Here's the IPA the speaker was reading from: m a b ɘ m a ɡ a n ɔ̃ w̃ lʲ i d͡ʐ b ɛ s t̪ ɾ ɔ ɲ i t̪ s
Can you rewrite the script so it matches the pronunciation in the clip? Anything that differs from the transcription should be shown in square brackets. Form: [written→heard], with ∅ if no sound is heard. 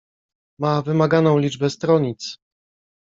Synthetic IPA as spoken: m a [b→v] ɘ m a ɡ a n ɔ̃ w̃ lʲ i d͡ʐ b ɛ s t̪ ɾ ɔ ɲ i t̪ s